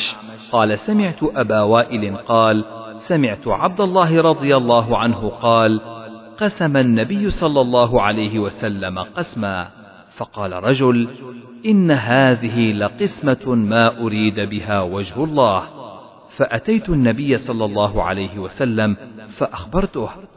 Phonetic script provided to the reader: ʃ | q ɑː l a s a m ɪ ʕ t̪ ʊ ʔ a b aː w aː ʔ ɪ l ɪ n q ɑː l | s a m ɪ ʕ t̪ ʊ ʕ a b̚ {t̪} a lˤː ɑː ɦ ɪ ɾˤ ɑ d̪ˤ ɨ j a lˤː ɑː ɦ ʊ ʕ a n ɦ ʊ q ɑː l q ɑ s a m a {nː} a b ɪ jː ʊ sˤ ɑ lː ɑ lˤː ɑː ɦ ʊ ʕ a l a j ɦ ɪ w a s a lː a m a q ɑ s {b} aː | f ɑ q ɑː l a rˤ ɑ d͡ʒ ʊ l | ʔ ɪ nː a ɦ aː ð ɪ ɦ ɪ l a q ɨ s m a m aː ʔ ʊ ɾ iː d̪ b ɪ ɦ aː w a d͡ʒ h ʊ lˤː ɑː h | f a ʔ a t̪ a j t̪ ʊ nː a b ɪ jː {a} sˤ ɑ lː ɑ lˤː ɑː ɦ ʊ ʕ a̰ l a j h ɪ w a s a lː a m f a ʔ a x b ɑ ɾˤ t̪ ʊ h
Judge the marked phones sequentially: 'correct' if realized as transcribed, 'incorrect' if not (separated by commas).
incorrect, correct, incorrect, correct